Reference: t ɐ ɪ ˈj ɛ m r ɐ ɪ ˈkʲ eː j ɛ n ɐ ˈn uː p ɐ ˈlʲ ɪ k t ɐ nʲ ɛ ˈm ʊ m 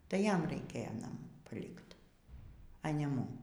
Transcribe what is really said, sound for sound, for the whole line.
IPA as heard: t ɐ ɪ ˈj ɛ m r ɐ ɪ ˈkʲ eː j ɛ n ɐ ˈm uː p ɐ ˈlʲ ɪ k t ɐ nʲ ɛ ˈm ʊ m

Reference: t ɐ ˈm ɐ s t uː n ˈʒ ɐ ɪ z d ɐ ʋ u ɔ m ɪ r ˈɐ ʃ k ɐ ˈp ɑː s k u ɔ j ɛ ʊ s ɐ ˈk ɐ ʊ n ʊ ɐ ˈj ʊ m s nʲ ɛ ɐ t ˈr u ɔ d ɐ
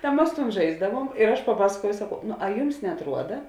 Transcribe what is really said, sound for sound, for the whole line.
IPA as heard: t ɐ ˈm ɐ s t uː n ˈʒ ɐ ɪ z d ɐ ʋ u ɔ m ɪ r ˈɐ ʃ p ɐ ˈp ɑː s k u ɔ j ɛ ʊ s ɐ ˈk ɐ ʊ n ʊ ɐ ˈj ʊ m s nʲ ɛ ɐ t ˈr u ɔ d ɐ

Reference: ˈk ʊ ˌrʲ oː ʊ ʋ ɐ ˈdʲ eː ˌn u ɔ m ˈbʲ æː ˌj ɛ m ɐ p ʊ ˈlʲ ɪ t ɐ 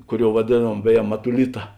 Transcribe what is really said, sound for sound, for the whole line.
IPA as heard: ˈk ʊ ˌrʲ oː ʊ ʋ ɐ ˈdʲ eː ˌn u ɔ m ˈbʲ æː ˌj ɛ m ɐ t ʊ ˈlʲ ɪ t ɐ

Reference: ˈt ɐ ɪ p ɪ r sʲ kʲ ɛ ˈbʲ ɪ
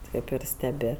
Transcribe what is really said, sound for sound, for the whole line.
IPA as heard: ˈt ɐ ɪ p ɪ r sʲ tʲ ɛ ˈbʲ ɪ

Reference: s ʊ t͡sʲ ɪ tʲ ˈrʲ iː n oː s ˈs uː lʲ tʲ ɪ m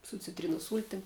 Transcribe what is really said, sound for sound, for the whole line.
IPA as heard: s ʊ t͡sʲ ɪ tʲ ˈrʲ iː n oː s ˈs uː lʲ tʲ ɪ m

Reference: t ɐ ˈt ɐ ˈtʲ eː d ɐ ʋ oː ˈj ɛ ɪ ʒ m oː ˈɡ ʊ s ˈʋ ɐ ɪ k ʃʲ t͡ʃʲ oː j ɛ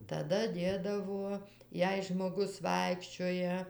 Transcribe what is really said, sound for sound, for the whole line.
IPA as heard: t ɐ ˈd ɐ ˈdʲ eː d ɐ ʋ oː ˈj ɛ ɪ ʒ m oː ˈɡ ʊ s ˈʋ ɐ ɪ k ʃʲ t͡ʃʲ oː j ɛ

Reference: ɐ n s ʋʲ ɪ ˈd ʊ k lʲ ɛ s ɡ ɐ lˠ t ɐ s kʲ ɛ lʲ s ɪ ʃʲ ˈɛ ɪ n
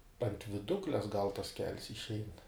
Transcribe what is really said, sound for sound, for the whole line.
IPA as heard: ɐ n t ʋʲ ɪ ˈd ʊ k lʲ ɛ s ɡ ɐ lˠ t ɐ s kʲ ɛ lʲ s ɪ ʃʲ ˈɛ ɪ n

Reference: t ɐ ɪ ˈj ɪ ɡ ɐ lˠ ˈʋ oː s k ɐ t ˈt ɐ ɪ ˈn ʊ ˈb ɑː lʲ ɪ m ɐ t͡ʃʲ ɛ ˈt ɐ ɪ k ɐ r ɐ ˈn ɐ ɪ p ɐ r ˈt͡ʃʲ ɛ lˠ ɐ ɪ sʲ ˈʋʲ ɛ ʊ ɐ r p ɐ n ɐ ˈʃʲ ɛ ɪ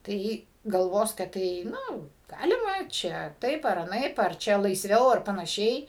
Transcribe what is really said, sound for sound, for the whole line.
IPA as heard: t ɐ ɪ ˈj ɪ ɡ ɐ lˠ ˈʋ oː s k ɐ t ˈt ɐ ɪ ˈn ʊ ˈɡ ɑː lʲ ɪ m ɐ t͡ʃʲ ɛ ˈt ɐ ɪ p ɐ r ɐ ˈn ɐ ɪ p ɐ r ˈt͡ʃʲ ɛ lˠ ɐ ɪ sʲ ˈʋʲ ɛ ʊ ɐ r p ɐ n ɐ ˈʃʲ ɛ ɪ

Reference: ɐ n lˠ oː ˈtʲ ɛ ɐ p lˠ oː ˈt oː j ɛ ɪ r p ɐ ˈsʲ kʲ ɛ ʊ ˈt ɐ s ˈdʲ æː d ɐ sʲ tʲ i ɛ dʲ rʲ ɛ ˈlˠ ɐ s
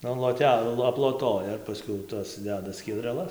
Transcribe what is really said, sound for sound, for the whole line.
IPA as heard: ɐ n lˠ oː ˈtʲ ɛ ɐ p lˠ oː ˈt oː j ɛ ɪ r p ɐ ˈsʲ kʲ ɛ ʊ ˈt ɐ s ˈdʲ æː d ɐ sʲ kʲ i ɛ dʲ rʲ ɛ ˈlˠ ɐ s

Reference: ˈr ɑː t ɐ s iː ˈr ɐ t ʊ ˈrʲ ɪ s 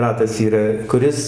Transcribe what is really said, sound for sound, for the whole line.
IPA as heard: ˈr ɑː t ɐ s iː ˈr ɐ k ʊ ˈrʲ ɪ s

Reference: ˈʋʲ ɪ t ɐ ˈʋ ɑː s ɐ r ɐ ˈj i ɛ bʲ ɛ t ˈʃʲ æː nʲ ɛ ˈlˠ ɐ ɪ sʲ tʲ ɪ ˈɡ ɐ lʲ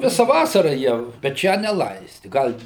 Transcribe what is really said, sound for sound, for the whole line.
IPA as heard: ˈʋʲ ɪ s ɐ ˈʋ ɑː s ɐ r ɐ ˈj i ɛ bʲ ɛ t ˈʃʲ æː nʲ ɛ ˈlˠ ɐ ɪ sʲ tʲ ɪ ˈɡ ɐ lʲ

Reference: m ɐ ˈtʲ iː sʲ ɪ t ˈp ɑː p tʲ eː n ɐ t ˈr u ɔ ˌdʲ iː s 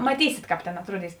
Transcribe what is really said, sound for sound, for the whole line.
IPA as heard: m ɐ ˈtʲ iː sʲ ɪ t ˈk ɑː p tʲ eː n ɐ t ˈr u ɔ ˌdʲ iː s

